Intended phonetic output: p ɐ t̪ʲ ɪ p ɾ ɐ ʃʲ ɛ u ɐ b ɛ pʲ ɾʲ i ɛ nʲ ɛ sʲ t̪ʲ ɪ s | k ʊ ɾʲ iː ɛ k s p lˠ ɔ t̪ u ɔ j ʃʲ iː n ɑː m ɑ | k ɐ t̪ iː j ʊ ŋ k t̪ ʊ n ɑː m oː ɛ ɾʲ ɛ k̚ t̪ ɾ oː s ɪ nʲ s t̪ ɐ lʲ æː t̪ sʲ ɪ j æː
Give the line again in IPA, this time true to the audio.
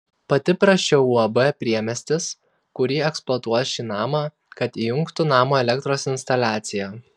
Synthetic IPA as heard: p ɐ t̪ʲ ɪ p ɾ ɐ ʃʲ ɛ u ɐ b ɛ pʲ ɾʲ i ɛ mʲ ɛ sʲ t̪ʲ ɪ s | k ʊ ɾʲ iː ɛ k s p lˠ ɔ t̪ u ɔ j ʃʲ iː n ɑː m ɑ | k ɐ t̪ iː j ʊ ŋ k t̪ ʊ n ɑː m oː ɛ lʲ ɛ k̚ t̪ ɾ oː s ɪ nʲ s t̪ ɐ lʲ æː t̪ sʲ ɪ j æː